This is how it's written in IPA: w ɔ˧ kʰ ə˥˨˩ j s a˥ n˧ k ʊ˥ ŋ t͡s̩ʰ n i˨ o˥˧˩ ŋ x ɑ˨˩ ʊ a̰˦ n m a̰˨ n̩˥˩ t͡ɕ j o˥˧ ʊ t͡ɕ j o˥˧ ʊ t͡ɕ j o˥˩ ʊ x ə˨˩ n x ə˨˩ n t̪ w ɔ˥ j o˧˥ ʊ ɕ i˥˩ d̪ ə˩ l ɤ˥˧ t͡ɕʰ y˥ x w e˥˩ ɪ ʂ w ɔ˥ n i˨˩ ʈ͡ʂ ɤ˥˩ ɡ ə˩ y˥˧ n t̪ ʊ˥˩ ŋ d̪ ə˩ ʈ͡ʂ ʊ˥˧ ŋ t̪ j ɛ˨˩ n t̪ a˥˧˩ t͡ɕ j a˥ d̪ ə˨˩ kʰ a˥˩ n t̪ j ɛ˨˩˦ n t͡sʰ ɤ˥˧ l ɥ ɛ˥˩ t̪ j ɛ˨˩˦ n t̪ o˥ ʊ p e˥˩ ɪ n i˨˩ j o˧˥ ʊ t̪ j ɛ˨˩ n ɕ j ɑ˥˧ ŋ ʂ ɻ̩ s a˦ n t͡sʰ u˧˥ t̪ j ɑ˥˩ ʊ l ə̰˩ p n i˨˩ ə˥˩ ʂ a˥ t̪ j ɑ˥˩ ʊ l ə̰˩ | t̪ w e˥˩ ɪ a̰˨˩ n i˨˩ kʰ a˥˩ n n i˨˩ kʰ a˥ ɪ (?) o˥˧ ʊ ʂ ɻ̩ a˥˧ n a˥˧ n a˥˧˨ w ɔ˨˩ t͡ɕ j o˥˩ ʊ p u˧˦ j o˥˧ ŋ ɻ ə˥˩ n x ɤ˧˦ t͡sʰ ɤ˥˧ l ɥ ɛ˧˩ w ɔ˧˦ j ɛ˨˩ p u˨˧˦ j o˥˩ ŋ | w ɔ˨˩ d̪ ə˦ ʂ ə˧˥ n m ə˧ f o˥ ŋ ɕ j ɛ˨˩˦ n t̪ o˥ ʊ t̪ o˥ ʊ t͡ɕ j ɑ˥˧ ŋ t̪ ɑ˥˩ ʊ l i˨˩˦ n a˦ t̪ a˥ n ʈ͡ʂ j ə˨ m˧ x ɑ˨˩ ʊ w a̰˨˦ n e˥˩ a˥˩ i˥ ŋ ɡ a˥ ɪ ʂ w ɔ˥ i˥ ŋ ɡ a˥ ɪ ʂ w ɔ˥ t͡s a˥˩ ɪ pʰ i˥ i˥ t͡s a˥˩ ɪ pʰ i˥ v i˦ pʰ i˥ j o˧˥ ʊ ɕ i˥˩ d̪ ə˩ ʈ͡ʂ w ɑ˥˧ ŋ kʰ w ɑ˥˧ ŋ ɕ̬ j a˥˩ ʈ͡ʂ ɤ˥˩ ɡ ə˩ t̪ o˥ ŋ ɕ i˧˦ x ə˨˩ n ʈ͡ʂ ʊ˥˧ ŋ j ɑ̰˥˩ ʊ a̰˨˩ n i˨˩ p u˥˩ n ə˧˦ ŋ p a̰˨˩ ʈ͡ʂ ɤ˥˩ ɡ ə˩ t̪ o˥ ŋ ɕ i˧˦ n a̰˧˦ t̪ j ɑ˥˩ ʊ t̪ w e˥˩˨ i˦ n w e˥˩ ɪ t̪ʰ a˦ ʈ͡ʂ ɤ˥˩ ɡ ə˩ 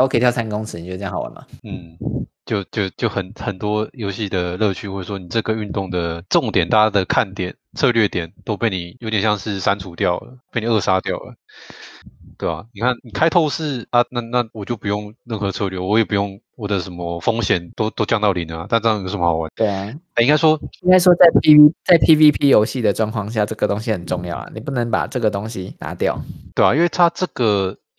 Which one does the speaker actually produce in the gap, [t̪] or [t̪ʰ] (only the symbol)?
t̪ʰ